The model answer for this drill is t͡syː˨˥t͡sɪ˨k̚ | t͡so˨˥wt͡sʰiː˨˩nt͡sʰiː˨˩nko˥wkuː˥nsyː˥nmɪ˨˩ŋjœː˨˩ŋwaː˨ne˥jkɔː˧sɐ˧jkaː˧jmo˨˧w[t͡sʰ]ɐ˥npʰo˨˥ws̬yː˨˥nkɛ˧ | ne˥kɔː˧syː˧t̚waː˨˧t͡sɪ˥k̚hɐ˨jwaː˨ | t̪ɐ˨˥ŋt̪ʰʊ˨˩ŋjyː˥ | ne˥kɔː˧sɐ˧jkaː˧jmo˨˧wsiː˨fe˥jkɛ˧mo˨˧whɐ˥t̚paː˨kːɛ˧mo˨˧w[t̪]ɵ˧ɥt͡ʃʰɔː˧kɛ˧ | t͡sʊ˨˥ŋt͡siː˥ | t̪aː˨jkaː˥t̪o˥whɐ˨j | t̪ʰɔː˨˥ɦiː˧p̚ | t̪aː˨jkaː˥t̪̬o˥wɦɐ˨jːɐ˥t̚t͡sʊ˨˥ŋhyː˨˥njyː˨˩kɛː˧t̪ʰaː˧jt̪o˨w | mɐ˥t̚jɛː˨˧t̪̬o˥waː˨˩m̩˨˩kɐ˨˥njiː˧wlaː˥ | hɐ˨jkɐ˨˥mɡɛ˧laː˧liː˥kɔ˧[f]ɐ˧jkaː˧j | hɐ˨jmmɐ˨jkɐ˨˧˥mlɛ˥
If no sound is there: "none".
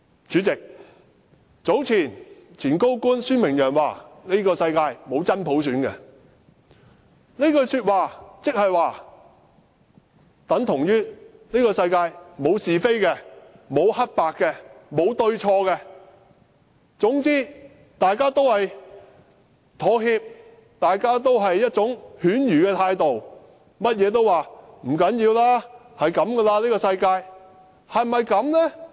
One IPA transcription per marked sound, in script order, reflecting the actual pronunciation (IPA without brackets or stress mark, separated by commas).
t͡s, t̪, s